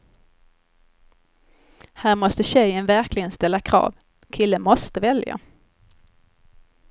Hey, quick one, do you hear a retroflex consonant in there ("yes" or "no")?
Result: no